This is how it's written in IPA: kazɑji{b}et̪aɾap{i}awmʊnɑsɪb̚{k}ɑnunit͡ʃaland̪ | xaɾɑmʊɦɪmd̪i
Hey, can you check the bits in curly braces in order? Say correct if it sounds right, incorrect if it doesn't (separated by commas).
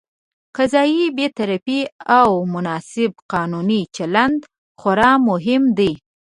correct, correct, incorrect